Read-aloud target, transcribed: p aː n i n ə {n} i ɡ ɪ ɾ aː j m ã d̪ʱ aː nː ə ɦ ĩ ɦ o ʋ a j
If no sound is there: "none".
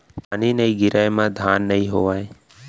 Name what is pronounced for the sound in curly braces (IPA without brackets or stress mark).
none